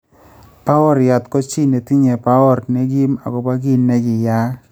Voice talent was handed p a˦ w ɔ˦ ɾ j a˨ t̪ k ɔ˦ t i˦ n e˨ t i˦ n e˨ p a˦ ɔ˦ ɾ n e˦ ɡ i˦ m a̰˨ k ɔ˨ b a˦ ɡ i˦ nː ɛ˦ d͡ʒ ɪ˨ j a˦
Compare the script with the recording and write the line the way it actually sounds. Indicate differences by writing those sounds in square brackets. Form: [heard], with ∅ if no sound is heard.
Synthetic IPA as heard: p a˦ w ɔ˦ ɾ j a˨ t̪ k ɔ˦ [t͡ʃ] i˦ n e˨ t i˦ [ɲ] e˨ p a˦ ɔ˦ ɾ n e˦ ɡ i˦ m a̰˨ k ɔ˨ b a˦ ɡ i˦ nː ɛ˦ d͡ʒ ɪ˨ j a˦